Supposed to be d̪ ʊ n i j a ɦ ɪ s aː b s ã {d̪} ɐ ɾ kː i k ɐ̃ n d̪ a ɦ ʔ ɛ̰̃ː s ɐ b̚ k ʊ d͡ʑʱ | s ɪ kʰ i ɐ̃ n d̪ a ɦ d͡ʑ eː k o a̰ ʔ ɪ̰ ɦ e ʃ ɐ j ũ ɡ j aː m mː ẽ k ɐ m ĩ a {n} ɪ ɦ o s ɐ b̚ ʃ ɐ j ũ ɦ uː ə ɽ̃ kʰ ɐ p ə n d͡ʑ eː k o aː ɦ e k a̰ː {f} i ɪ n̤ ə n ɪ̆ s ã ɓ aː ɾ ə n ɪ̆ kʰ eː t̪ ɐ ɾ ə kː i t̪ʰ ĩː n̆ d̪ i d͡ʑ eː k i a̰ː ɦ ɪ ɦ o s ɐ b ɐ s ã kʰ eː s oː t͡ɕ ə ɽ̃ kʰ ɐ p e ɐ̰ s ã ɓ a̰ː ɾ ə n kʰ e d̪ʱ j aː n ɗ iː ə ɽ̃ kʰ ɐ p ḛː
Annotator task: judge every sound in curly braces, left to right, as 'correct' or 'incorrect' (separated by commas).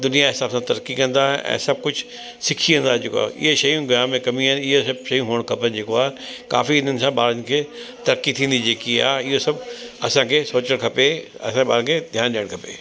incorrect, correct, correct